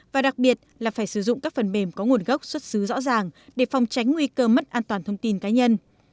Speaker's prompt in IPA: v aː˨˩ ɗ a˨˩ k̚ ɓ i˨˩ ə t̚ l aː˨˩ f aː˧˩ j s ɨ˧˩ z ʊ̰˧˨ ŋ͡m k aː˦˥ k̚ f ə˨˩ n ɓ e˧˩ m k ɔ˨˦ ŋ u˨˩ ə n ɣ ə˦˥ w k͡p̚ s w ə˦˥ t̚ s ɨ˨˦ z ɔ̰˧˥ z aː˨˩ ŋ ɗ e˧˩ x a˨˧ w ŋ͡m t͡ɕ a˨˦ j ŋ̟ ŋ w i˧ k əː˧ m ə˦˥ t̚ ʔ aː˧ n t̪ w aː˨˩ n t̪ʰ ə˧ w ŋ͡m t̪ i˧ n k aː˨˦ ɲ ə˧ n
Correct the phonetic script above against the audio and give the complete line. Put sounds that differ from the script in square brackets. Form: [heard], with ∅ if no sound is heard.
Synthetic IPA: v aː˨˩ ɗ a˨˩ k̚ ɓ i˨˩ ə t̚ l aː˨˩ f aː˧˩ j s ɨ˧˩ z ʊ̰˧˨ ŋ͡m k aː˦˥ k̚ f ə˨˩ n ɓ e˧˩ m k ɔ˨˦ ŋ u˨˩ ə n ɣ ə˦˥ w k͡p̚ s w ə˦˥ t̚ s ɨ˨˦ z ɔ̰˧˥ z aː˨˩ ŋ ɗ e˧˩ [f] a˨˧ w ŋ͡m t͡ɕ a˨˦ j ŋ̟ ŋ w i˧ k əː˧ m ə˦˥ t̚ ʔ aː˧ n t̪ w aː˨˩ n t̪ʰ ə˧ w ŋ͡m t̪ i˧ n k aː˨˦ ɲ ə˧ n